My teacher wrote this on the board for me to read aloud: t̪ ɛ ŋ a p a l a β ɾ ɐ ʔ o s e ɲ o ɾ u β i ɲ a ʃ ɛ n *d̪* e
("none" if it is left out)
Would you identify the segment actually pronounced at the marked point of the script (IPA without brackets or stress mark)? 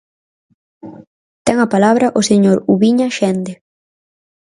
d̪